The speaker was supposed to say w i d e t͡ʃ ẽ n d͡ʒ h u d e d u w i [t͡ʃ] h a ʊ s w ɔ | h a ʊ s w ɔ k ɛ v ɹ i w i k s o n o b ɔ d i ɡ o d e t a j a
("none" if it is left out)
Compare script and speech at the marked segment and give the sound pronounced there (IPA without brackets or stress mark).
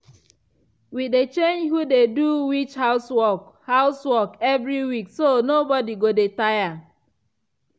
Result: t͡ʃ